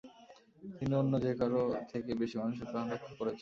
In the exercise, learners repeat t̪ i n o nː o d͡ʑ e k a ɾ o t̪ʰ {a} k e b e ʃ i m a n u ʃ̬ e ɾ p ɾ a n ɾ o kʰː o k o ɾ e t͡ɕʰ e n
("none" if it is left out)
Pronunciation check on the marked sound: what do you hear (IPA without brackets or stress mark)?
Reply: e